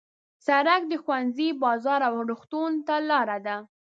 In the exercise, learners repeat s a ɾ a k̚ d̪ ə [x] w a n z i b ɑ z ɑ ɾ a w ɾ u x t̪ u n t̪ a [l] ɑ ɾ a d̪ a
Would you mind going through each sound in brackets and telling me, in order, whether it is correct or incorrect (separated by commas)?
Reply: correct, correct